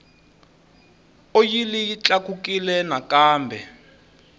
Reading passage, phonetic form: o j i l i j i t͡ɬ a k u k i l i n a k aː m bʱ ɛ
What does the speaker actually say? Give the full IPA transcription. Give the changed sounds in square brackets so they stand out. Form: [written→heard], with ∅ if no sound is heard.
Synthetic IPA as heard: o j i l i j i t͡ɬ a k u k i l [i→ɛ] n a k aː m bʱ ɛ